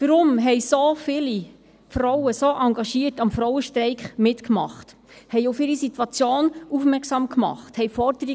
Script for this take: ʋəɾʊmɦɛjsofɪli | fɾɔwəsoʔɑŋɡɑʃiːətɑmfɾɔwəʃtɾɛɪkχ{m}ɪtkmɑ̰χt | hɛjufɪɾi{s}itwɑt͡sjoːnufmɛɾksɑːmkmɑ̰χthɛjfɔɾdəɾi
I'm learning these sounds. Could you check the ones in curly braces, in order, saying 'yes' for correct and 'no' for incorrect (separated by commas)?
yes, yes